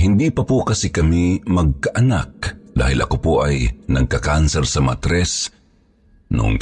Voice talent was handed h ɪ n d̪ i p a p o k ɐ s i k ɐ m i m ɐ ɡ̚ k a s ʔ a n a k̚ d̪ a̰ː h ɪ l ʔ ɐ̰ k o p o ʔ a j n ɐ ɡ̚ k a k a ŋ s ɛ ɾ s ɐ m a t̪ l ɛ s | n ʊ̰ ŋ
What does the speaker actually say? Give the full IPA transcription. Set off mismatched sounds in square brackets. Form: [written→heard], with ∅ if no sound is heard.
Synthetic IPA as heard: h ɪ n d̪ i p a p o k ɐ s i k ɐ m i m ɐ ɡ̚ k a [s→∅] ʔ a n a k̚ d̪ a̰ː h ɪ l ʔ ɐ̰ k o p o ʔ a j n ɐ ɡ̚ k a k a [ŋ→n] s ɛ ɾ s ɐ m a t̪ [l→ɾ] ɛ s | n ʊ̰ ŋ